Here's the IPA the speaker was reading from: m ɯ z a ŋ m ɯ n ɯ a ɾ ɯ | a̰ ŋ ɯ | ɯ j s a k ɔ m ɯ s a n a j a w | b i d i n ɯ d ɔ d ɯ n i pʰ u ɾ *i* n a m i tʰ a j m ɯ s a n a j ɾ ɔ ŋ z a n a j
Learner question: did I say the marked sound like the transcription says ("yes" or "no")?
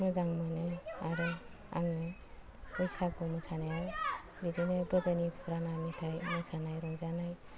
no